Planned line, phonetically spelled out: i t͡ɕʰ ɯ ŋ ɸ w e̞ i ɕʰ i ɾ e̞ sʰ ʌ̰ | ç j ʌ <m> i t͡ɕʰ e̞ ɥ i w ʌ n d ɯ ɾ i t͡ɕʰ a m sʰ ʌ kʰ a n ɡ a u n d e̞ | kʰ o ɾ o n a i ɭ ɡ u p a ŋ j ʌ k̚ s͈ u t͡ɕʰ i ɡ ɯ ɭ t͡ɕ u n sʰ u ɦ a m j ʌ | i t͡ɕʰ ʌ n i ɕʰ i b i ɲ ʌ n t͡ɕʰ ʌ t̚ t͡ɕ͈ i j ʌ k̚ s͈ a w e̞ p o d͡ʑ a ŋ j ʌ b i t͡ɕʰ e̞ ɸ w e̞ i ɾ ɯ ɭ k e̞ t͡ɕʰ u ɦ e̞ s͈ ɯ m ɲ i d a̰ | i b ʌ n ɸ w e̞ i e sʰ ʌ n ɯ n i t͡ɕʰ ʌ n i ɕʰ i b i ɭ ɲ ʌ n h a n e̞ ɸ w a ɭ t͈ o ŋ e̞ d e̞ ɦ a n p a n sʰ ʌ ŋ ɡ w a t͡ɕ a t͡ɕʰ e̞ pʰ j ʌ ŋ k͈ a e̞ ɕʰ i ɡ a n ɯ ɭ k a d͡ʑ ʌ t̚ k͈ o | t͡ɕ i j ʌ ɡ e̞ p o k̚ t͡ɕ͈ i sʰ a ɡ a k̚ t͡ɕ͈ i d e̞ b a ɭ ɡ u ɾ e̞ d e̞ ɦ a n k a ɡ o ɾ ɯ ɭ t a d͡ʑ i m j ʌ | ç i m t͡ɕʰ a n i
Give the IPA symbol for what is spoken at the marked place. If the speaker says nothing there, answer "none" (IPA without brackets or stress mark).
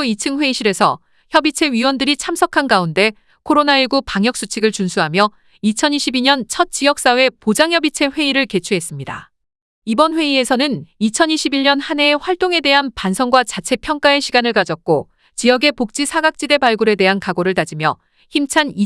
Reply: b